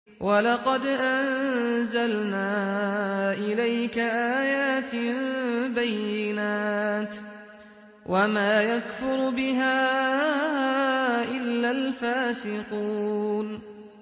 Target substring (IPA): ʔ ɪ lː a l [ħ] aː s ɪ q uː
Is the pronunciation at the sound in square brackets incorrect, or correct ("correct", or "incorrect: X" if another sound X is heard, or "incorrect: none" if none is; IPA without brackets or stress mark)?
incorrect: f